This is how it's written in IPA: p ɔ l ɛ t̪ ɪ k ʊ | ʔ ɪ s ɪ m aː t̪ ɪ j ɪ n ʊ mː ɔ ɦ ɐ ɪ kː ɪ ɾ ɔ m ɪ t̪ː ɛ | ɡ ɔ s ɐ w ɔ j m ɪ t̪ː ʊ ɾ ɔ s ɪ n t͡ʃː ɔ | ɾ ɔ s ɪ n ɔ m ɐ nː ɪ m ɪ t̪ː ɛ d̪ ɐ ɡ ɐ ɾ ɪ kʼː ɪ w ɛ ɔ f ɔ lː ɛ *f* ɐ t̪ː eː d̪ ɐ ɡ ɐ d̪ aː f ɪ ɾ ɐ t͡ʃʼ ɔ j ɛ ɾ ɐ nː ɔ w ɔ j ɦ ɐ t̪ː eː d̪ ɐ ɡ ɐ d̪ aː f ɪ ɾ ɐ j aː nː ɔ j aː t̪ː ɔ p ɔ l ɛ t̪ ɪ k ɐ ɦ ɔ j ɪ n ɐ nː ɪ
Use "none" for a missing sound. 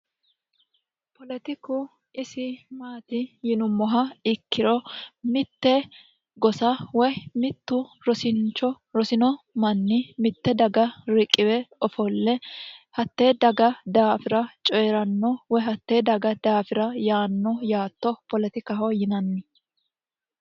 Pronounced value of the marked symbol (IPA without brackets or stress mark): h